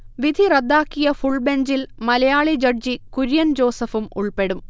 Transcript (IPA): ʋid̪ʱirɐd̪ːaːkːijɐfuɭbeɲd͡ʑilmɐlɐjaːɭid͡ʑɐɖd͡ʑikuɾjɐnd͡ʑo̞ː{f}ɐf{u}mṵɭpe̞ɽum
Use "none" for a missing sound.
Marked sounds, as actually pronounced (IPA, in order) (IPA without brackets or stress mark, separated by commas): s, u